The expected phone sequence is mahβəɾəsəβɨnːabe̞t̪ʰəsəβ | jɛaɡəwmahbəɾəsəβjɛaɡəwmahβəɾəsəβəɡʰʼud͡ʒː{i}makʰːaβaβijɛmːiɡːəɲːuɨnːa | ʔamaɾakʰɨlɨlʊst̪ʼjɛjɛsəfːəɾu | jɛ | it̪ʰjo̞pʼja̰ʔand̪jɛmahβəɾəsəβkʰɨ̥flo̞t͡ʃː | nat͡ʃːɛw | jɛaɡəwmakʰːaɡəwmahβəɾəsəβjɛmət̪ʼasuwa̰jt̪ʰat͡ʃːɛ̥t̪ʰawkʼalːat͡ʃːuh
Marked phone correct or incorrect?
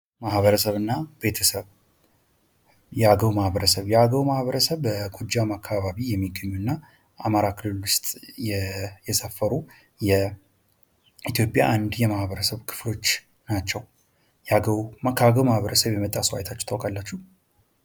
incorrect: a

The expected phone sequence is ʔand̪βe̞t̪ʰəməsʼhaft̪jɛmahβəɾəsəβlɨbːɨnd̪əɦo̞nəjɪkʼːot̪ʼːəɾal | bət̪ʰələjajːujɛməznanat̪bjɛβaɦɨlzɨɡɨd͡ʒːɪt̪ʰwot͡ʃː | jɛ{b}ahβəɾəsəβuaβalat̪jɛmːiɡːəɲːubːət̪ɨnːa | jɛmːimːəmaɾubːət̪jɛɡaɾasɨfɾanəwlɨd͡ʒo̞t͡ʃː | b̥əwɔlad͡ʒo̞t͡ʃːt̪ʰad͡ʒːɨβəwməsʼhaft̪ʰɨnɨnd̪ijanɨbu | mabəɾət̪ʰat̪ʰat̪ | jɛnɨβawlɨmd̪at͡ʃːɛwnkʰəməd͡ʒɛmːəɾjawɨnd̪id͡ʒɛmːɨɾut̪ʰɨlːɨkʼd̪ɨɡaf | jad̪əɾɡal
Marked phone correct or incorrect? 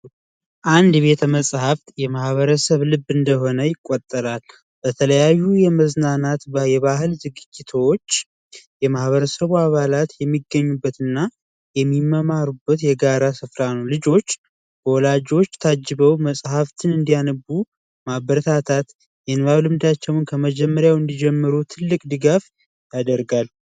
incorrect: m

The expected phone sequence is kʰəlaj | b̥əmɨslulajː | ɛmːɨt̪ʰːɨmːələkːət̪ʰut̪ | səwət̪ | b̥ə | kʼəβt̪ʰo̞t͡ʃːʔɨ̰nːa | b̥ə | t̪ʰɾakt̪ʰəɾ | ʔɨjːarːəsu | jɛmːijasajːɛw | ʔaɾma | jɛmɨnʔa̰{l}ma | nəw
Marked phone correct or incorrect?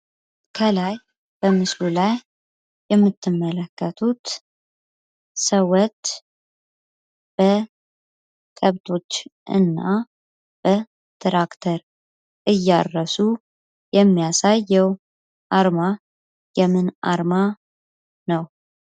incorrect: ɾ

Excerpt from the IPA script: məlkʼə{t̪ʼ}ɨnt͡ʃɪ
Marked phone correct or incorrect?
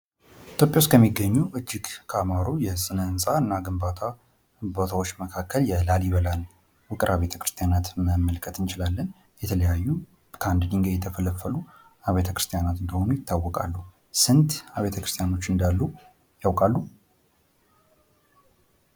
incorrect: t̪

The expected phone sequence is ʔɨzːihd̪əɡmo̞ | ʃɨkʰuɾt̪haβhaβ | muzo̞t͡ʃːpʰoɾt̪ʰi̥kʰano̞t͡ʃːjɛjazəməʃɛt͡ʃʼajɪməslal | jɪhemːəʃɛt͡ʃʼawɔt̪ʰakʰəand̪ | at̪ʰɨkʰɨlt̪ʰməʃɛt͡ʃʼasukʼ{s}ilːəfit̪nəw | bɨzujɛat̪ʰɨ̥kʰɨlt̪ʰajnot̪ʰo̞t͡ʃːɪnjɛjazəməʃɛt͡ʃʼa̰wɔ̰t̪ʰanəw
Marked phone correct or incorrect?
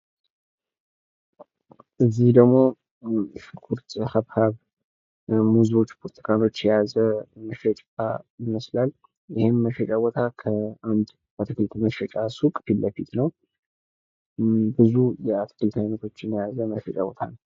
incorrect: f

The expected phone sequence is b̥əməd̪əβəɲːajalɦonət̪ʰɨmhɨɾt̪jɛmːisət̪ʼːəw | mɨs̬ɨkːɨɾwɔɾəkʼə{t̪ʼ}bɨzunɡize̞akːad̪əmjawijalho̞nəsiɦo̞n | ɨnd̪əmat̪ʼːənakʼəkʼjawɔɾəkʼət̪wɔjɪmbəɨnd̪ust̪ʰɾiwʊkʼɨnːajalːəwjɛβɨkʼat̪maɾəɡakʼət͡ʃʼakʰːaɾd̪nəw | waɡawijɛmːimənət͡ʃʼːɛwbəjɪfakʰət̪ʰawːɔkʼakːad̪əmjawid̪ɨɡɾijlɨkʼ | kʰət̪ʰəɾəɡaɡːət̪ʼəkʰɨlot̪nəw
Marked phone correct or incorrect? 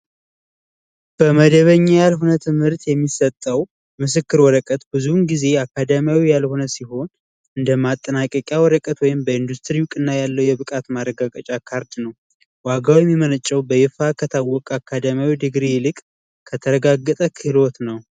incorrect: t̪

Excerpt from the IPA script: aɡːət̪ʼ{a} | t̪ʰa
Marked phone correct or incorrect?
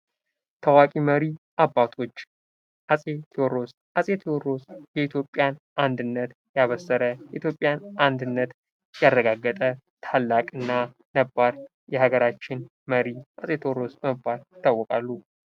incorrect: ə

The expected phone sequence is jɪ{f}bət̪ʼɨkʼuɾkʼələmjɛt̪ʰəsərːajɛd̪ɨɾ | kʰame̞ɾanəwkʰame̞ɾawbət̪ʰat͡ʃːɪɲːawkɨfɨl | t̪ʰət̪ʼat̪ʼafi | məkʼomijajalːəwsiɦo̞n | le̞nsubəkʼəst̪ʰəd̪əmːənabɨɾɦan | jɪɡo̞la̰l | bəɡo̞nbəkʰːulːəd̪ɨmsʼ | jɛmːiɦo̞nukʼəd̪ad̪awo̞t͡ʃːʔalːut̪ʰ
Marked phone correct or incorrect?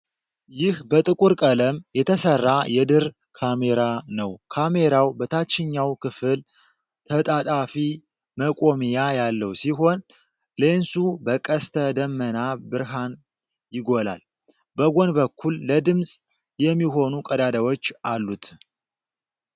incorrect: h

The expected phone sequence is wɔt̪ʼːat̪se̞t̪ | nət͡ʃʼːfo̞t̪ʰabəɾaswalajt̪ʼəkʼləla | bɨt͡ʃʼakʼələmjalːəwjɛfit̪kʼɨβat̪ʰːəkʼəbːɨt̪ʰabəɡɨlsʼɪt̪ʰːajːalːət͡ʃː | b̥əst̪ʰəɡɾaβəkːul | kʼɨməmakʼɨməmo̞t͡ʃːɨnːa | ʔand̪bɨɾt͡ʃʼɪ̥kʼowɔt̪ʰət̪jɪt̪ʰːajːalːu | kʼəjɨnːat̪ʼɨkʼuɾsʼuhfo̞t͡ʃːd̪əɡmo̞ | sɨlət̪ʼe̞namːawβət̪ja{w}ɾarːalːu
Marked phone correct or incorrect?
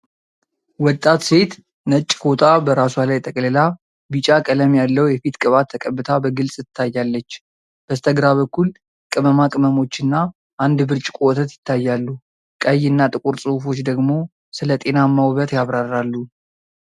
incorrect: β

